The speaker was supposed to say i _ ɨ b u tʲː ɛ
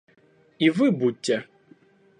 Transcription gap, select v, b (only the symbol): v